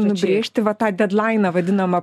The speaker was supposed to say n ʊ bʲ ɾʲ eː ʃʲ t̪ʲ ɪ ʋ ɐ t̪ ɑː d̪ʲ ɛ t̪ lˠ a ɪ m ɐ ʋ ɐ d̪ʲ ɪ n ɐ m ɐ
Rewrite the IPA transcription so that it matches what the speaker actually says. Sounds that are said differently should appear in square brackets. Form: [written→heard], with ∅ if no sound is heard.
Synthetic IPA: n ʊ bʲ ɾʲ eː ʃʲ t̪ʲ ɪ ʋ ɐ t̪ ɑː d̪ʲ ɛ [t̪→d̪] lˠ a ɪ [m→n] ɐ ʋ ɐ d̪ʲ ɪ n ɐ m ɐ

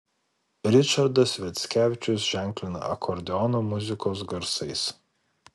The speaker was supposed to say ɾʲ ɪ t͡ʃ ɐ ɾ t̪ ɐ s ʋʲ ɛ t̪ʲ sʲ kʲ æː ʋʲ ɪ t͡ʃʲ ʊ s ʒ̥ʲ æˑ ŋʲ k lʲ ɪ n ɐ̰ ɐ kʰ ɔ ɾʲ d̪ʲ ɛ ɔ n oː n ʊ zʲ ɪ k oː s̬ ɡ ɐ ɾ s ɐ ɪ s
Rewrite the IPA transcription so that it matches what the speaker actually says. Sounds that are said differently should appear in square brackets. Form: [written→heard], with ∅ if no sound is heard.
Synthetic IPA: ɾʲ ɪ t͡ʃ ɐ ɾ [t̪→d̪] ɐ s ʋʲ ɛ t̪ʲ sʲ kʲ æː ʋʲ ɪ t͡ʃʲ ʊ s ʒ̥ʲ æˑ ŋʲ k lʲ ɪ n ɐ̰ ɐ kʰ ɔ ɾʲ d̪ʲ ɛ ɔ n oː [n→m] ʊ zʲ ɪ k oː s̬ ɡ ɐ ɾ s ɐ ɪ s

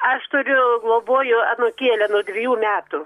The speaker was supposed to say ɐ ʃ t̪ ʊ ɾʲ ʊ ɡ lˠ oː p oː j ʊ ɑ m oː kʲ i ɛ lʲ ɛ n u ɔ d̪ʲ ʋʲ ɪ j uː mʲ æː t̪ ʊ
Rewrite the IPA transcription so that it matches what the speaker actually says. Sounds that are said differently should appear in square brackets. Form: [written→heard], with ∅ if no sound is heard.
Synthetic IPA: ɐ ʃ t̪ ʊ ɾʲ ʊ ɡ lˠ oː [p→b] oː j ʊ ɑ [m→n] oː kʲ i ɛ lʲ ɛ n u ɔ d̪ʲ ʋʲ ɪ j uː mʲ æː t̪ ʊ

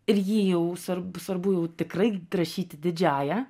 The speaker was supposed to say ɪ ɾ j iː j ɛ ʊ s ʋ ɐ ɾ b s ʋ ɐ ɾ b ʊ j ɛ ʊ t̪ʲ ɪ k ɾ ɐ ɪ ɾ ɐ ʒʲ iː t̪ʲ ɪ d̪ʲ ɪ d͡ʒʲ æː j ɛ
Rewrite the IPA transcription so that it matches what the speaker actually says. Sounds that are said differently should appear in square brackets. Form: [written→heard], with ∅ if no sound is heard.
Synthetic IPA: ɪ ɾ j iː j ɛ ʊ s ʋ ɐ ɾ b s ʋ ɐ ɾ b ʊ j ɛ ʊ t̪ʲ ɪ k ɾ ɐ ɪ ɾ ɐ [ʒʲ→ʃʲ] iː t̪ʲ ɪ d̪ʲ ɪ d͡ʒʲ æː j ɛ

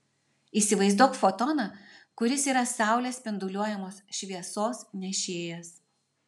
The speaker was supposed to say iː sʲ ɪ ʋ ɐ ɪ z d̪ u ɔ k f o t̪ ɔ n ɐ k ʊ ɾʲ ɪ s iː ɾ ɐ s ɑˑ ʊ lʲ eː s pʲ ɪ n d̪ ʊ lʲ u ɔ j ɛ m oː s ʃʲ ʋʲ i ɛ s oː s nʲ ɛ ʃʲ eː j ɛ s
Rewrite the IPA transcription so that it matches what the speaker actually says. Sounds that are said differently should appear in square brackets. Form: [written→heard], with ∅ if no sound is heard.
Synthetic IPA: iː sʲ ɪ ʋ ɐ ɪ z d̪ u ɔ k f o t̪ ɔ n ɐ k ʊ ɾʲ ɪ s iː ɾ ɐ s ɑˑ ʊ lʲ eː s pʲ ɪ n d̪ ʊ lʲ u ɔ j ɛ m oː s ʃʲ ʋʲ i ɛ s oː s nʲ ɛ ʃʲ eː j ɛ s

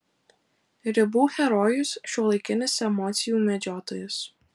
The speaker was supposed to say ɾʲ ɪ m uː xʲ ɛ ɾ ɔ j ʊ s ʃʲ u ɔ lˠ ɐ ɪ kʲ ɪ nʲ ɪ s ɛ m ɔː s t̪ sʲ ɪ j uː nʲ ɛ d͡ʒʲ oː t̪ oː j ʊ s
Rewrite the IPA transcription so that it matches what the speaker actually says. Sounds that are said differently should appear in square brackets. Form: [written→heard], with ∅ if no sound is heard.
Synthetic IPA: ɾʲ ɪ [m→b] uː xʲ ɛ ɾ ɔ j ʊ s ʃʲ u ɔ lˠ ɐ ɪ kʲ ɪ nʲ ɪ s ɛ m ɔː [s→∅] t̪ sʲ ɪ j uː [nʲ→mʲ] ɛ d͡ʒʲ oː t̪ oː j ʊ s

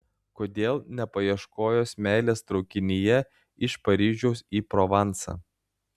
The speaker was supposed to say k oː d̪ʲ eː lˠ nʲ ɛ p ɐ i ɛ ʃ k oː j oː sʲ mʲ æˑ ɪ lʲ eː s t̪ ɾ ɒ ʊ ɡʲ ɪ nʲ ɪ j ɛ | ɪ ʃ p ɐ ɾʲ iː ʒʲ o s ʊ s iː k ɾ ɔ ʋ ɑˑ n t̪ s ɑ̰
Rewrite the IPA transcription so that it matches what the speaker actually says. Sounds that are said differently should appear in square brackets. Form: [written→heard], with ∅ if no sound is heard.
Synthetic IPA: k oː d̪ʲ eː lˠ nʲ ɛ p ɐ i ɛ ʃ k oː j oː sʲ mʲ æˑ ɪ lʲ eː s t̪ ɾ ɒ ʊ [ɡʲ→kʲ] ɪ nʲ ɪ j ɛ | ɪ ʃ p ɐ ɾʲ iː ʒʲ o [s→∅] ʊ s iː [k→p] ɾ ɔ ʋ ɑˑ n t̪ s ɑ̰

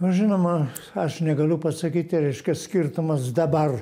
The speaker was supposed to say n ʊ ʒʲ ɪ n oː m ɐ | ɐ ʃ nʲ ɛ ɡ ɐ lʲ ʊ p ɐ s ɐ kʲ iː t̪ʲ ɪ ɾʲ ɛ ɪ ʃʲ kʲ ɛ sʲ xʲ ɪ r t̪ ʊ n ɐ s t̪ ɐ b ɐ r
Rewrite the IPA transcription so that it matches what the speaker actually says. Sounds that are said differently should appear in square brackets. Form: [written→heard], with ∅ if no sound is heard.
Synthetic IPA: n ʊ ʒʲ ɪ n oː m ɐ | ɐ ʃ nʲ ɛ ɡ ɐ lʲ ʊ p ɐ s ɐ kʲ iː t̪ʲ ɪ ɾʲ ɛ ɪ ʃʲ kʲ ɛ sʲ [xʲ→kʲ] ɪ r t̪ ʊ [n→m] ɐ s [t̪→d̪] ɐ b ɐ r

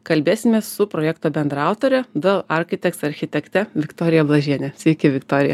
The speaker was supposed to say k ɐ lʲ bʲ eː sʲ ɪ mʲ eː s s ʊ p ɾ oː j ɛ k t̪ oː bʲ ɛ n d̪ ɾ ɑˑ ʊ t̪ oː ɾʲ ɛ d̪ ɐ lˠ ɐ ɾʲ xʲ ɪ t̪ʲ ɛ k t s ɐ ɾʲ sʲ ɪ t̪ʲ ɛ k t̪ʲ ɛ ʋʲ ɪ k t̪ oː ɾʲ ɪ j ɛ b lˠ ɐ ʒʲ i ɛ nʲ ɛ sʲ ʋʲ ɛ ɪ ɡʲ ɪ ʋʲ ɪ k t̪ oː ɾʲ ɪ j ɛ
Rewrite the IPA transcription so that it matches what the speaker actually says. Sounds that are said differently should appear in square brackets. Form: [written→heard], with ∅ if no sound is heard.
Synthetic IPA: k ɐ lʲ bʲ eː sʲ ɪ mʲ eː s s ʊ p ɾ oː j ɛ k t̪ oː bʲ ɛ n d̪ ɾ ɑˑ ʊ t̪ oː ɾʲ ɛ d̪ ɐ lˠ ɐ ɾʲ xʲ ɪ t̪ʲ ɛ k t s ɐ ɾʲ [sʲ→xʲ] ɪ t̪ʲ ɛ k t̪ʲ ɛ ʋʲ ɪ k t̪ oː ɾʲ ɪ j ɛ b lˠ ɐ ʒʲ i ɛ nʲ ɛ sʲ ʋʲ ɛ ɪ [ɡʲ→kʲ] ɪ ʋʲ ɪ k t̪ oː ɾʲ ɪ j ɛ

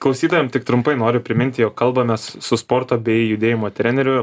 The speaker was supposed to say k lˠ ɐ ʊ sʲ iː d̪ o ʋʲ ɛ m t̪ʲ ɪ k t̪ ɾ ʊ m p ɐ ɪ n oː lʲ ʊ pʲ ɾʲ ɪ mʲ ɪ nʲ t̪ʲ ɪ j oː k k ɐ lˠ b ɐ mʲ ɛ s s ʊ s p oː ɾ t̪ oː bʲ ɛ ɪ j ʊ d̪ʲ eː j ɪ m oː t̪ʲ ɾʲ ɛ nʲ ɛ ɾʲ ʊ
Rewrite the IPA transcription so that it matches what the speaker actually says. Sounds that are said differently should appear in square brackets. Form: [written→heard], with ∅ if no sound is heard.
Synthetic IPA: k lˠ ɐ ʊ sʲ iː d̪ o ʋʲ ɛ m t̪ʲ ɪ k t̪ ɾ ʊ m p ɐ ɪ n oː [lʲ→ɾʲ] ʊ pʲ ɾʲ ɪ mʲ ɪ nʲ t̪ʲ ɪ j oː k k ɐ lˠ b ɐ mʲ ɛ s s ʊ s p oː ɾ t̪ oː bʲ ɛ ɪ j ʊ d̪ʲ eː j ɪ m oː t̪ʲ ɾʲ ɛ nʲ ɛ ɾʲ ʊ

